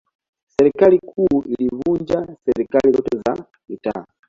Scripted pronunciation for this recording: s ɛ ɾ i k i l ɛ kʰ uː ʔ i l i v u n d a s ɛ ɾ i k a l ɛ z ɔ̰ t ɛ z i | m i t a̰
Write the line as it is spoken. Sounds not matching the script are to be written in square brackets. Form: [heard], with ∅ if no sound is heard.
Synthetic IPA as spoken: s ɛ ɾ i k [a] l [i] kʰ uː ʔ i l i v u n [d͡ʒ] a s ɛ ɾ i k a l [i] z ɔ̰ t ɛ z [a] | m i t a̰